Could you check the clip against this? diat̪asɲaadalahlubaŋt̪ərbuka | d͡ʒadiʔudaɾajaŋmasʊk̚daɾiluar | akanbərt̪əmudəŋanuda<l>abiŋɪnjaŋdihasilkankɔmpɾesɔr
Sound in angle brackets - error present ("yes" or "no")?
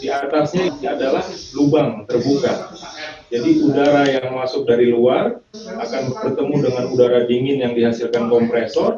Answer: yes